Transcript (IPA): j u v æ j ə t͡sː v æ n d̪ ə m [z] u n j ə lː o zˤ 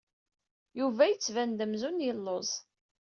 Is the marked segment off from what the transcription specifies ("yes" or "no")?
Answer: no